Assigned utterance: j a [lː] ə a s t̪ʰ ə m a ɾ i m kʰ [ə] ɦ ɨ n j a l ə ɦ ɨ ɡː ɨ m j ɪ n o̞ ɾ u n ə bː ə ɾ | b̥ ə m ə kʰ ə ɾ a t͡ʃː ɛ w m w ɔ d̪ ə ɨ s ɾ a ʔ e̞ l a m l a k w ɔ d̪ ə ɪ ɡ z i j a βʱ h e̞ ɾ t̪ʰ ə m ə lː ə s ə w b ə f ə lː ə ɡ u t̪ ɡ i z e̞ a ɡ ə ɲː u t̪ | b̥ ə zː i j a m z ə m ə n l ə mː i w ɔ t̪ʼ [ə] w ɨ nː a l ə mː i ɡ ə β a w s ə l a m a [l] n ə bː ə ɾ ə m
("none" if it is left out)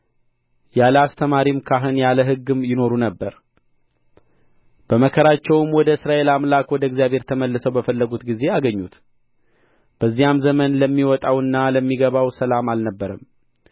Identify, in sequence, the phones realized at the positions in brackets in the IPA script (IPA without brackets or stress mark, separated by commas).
l, a, a, l